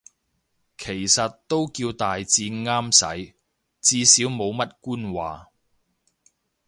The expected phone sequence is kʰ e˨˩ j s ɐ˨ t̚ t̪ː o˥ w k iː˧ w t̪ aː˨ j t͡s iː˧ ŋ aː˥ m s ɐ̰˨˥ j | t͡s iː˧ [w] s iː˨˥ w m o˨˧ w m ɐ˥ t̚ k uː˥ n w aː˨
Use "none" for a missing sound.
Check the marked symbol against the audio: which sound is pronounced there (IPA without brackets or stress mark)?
none